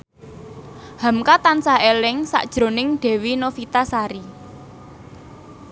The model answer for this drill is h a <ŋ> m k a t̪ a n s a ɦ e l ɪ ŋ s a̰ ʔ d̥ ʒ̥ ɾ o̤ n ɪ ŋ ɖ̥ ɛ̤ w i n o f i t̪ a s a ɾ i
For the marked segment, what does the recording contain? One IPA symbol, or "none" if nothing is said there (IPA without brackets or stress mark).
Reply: none